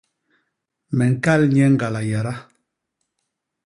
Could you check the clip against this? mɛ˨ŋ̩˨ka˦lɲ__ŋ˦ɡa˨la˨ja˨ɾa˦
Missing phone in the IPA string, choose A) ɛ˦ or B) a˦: A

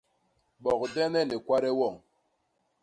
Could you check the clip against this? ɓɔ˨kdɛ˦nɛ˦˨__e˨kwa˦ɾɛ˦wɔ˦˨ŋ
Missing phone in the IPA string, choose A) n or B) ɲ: A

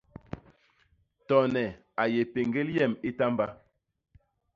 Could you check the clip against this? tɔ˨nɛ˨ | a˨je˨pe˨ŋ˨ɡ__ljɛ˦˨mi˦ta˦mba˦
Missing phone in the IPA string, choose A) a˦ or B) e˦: B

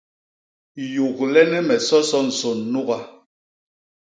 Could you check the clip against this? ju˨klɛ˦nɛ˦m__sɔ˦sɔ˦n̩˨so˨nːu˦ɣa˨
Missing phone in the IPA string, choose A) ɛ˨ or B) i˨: A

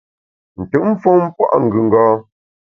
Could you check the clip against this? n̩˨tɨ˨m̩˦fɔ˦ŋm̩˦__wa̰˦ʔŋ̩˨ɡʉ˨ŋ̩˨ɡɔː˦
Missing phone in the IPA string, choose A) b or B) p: B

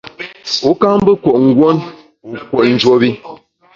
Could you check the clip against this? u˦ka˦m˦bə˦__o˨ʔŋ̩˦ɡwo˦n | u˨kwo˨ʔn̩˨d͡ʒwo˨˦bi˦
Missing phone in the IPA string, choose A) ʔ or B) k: B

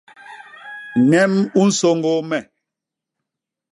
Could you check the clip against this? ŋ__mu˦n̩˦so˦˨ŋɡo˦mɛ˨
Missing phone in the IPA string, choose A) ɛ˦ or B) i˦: A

